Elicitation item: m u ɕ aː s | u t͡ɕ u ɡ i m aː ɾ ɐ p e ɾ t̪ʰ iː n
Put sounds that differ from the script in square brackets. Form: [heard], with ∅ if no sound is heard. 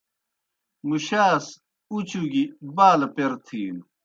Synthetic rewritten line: m u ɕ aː s | u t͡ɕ u ɡ i [b] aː [l] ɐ p e ɾ t̪ʰ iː n